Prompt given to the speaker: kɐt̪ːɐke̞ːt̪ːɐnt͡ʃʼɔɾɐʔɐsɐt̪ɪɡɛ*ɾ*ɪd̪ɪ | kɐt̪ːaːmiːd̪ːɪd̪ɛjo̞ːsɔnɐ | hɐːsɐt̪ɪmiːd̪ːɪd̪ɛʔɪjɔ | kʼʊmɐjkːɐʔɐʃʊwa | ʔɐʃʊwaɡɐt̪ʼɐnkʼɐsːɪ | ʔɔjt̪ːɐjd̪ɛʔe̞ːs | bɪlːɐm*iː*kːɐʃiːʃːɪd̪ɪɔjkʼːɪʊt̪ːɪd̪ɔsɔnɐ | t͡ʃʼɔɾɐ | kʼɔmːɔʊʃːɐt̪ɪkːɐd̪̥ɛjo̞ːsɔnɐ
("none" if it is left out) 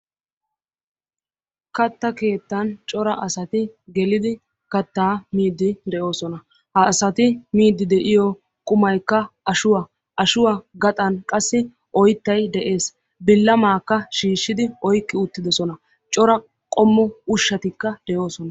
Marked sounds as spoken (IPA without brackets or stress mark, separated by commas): l, aː